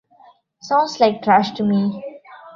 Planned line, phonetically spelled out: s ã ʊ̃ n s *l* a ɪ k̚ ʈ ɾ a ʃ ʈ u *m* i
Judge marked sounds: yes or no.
yes, yes

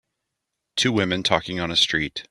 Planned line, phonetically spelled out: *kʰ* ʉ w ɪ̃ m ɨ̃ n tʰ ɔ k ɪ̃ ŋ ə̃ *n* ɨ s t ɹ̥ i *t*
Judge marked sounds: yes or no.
no, yes, yes

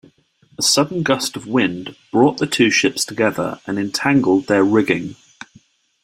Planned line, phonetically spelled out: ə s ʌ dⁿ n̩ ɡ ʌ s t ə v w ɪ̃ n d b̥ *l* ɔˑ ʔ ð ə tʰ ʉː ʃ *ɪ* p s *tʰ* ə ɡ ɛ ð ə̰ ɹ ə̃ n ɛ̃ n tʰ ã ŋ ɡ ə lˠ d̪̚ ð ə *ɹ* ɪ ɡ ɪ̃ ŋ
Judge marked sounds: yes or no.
no, yes, yes, yes

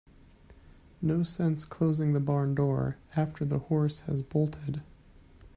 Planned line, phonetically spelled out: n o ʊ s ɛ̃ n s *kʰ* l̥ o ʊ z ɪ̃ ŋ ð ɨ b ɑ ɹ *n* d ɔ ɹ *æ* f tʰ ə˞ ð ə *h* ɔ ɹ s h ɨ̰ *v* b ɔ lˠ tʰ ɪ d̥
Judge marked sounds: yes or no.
yes, yes, yes, yes, no

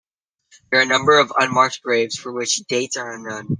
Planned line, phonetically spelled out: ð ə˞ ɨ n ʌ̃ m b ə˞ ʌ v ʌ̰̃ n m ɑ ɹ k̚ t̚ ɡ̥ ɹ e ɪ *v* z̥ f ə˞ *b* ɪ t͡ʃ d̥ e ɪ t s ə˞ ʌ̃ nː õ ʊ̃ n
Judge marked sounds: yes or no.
yes, no

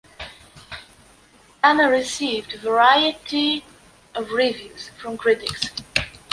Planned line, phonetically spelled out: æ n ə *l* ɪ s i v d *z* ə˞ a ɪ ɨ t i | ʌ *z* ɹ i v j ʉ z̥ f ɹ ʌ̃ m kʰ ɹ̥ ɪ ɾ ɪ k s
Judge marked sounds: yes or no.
no, no, no

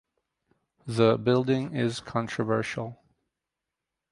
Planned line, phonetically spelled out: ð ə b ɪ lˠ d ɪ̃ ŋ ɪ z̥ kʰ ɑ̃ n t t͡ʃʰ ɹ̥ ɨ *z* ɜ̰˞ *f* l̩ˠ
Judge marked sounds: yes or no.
no, no

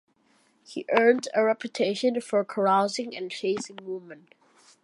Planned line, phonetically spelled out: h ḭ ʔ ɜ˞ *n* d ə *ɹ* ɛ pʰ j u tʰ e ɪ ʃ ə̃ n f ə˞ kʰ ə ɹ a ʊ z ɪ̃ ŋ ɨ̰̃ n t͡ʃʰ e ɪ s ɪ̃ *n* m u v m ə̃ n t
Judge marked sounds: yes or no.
yes, yes, no

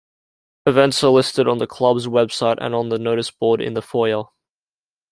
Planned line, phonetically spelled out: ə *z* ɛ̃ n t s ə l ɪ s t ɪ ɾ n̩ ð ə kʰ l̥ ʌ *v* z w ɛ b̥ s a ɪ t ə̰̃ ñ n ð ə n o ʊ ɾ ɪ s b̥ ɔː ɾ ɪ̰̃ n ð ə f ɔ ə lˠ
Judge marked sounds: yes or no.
no, no

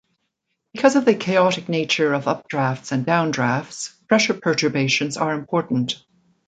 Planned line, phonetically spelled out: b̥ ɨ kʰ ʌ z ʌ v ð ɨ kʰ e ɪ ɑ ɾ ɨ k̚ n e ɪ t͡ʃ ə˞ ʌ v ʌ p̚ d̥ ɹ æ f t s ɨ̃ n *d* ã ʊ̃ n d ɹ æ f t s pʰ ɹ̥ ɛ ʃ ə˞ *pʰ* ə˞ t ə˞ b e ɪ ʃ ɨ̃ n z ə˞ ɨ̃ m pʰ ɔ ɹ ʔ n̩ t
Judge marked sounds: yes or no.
yes, yes

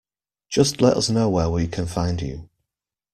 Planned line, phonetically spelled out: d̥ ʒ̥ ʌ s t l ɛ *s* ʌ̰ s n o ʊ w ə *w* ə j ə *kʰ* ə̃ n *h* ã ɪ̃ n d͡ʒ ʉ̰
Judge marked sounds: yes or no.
no, yes, yes, no

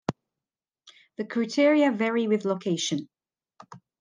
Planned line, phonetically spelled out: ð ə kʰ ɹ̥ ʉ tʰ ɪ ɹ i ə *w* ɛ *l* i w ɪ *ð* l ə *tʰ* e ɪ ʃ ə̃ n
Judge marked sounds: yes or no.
no, no, yes, no

